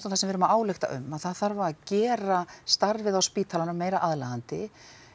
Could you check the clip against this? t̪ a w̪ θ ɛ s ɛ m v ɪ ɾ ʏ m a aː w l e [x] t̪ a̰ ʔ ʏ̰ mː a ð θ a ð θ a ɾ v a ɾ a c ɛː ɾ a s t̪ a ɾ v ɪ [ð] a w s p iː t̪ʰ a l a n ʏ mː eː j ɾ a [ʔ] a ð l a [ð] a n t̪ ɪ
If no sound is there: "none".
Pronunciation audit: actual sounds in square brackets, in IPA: x, ð, ʔ, ɣ

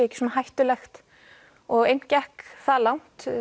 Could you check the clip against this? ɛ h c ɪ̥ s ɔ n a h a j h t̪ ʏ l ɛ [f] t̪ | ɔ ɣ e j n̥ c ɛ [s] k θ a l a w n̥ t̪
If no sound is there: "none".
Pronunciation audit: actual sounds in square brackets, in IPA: x, h

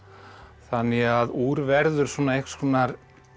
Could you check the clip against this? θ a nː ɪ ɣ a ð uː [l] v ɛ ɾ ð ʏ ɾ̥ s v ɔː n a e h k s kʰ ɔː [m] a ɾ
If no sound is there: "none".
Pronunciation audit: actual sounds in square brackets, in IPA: ɾ, n

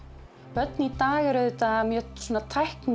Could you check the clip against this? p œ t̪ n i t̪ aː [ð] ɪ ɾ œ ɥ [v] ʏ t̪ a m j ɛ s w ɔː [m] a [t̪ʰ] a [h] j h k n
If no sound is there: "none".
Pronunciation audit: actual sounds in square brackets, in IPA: ɣ, ð, n, t̪ʰ, none

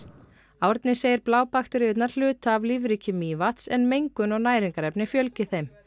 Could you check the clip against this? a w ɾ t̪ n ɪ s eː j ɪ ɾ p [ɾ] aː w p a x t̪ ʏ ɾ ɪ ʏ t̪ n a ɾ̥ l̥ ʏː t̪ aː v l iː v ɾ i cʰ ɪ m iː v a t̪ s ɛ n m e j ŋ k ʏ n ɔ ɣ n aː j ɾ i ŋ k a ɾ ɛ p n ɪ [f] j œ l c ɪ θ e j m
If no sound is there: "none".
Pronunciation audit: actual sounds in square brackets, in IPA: l, f

